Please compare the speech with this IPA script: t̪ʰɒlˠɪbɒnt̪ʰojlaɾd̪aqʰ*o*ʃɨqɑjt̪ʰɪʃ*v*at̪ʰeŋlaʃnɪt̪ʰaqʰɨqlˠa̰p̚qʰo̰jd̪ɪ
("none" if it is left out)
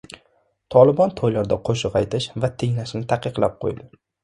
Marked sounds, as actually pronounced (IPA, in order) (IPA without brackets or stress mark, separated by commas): o, v